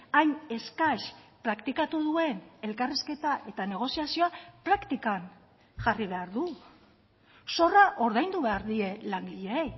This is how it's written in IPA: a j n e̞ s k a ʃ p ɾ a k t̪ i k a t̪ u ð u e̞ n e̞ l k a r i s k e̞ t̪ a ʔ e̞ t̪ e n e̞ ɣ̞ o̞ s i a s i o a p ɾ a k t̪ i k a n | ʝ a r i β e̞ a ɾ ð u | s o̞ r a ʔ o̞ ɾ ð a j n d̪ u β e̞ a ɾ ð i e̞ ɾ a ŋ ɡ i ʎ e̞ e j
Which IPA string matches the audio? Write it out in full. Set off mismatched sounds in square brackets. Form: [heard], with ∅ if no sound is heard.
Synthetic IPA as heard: a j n e̞ s k a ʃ p ɾ a k t̪ i k a t̪ u ð u e̞ n e̞ l k a r i s k e̞ t̪ a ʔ e̞ t̪ [a] n e̞ ɣ̞ o̞ s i a s i o a p ɾ a k t̪ i k a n | ʝ a r i β e̞ a ɾ ð u | s o̞ r a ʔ o̞ ɾ ð a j n d̪ u β e̞ a ɾ ð i e̞ [l] a ŋ ɡ i ʎ e̞ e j

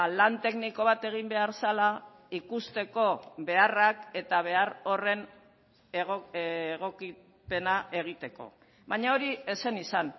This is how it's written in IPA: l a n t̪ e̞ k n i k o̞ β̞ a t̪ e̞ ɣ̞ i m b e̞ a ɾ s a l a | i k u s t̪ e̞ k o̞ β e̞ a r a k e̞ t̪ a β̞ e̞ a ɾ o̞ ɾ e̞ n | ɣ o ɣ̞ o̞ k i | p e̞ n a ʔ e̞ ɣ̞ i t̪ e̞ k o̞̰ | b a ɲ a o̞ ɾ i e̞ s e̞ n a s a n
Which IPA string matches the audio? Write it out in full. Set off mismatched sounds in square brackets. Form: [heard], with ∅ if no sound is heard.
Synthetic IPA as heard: l a n t̪ e̞ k n i k o̞ β̞ a t̪ e̞ ɣ̞ i m b e̞ a ɾ s a l a | i k u s t̪ e̞ k o̞ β e̞ a r a k e̞ t̪ a β̞ e̞ a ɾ o̞ [r] e̞ n | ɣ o ɣ̞ o̞ k i | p e̞ n a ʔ e̞ ɣ̞ i t̪ e̞ k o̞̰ | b a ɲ a o̞ ɾ i e̞ s e̞ n [i] s a n

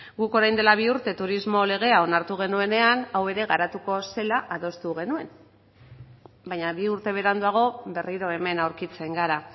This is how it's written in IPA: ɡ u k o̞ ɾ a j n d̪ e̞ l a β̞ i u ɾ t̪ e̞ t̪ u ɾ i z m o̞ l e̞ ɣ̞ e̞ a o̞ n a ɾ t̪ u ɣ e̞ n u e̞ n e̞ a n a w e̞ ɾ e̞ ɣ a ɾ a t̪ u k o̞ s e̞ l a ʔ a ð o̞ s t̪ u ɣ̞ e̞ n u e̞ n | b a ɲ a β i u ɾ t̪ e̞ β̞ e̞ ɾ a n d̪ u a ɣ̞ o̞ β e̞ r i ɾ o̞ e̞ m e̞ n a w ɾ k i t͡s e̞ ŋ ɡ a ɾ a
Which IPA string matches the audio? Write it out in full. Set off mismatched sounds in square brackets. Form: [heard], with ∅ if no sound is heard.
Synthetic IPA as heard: ɡ u k o̞ ɾ a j n d̪ e̞ l a β̞ i u ɾ t̪ e̞ t̪ u ɾ i z m o̞ l e̞ ɣ̞ e̞ a o̞ n a ɾ t̪ u ɣ e̞ n u e̞ n e̞ a n a w e̞ ɾ e̞ ɣ a ɾ a t̪ u k o̞ s e̞ l a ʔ a ð o̞ s t̪ u ɣ̞ e̞ n u e̞ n | b a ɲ a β i u ɾ t̪ e̞ β̞ e̞ ɾ a n d̪ u a ɣ̞ o̞ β e̞ r i ɾ o̞ e̞ m e̞ n a w ɾ k i t͡s e̞ ŋ ɡ a ɾ a

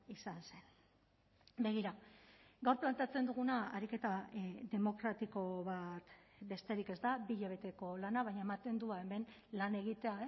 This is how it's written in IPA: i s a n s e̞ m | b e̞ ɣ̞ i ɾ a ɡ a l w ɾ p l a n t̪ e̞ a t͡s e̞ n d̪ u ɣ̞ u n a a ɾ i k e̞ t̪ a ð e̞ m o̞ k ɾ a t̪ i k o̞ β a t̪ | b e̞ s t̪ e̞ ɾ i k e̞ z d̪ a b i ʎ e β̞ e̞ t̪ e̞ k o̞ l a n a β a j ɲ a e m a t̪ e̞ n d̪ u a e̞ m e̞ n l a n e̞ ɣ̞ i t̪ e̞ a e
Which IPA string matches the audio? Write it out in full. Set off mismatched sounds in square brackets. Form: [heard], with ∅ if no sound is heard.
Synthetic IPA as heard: i s a n s e̞ [n] | b e̞ ɣ̞ i ɾ a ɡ a [∅] w ɾ p l a n t̪ e̞ a t͡s e̞ n d̪ u ɣ̞ u n a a ɾ i k e̞ t̪ a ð e̞ m o̞ k ɾ a t̪ i k o̞ β a t̪ | b e̞ s t̪ e̞ ɾ i k e̞ z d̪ a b i ʎ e β̞ e̞ t̪ e̞ k o̞ l a n a β a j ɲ a e m a t̪ e̞ n d̪ u a e̞ m e̞ n l a n e̞ ɣ̞ i t̪ e̞ a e

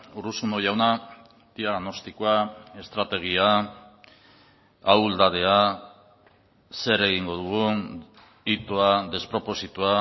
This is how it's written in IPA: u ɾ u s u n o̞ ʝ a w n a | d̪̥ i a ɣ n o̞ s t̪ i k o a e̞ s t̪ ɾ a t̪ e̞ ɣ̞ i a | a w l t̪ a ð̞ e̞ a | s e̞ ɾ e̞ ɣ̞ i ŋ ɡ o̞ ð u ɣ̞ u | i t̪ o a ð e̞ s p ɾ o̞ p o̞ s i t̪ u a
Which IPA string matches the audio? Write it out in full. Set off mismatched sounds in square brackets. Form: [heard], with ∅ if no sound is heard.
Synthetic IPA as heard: u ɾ u s u n o̞ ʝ a w n a | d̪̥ i a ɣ n o̞ s t̪ i k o a e̞ s t̪ ɾ a t̪ e̞ ɣ̞ i a | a w l [d̪] a ð̞ e̞ a | s e̞ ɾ e̞ ɣ̞ i ŋ ɡ o̞ ð u ɣ̞ u | i t̪ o a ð e̞ s p ɾ o̞ p o̞ s i t̪ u a

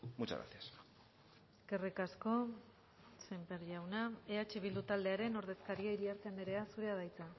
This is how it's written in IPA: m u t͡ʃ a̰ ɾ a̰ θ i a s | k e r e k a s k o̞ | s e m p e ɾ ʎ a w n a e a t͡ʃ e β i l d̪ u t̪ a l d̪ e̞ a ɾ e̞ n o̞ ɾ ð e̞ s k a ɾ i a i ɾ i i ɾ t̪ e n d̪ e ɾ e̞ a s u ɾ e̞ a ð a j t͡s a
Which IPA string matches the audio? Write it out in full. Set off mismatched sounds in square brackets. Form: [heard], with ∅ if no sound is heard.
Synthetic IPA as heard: m u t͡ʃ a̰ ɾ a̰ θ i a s | k e r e k a s k o̞ | s e m p e ɾ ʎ a w n a e a t͡ʃ e β i l d̪ u t̪ a l d̪ e̞ a ɾ e̞ n o̞ ɾ ð e̞ s k a ɾ i a i ɾ i [a] ɾ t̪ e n d̪ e ɾ e̞ a s u ɾ e̞ a ð a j t͡s a

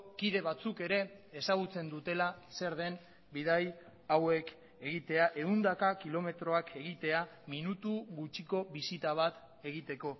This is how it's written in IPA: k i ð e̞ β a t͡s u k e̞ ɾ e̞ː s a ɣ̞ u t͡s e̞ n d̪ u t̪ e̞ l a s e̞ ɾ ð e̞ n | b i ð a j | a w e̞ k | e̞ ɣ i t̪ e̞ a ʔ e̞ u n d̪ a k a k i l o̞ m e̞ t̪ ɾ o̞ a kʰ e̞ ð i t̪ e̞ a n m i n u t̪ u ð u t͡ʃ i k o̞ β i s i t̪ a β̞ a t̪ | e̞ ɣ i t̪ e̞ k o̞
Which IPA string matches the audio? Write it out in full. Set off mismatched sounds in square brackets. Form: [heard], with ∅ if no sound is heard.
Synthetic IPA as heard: k i ð e̞ β a t͡s u k e̞ ɾ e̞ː s a ɣ̞ u t͡s e̞ n d̪ u t̪ e̞ l a s e̞ ɾ ð e̞ n | b i ð a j | a w e̞ k | e̞ ɣ i t̪ e̞ a ʔ e̞ u n d̪ a k a k i l o̞ m e̞ t̪ ɾ o̞ a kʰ e̞ [ɣ] i t̪ e̞ a [∅] m i n u t̪ u [ɣ] u t͡ʃ i k o̞ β i s i t̪ a β̞ a t̪ | e̞ ɣ i t̪ e̞ k o̞

